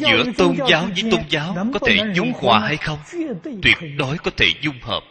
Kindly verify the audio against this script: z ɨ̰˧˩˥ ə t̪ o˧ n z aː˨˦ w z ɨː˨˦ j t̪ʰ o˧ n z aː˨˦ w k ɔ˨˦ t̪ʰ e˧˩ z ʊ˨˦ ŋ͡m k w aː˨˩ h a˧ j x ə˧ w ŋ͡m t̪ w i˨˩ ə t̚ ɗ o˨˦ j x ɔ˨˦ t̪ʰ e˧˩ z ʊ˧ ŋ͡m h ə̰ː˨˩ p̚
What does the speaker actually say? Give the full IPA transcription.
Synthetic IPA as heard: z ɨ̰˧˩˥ ə t̪ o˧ n z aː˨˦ w z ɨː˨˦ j t̪ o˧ n z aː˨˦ w k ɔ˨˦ t̪ʰ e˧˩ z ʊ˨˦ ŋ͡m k w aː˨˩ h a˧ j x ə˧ w ŋ͡m t̪ w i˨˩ ə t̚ ɗ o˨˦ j k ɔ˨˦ t̪ʰ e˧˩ z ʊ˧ ŋ͡m h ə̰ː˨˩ p̚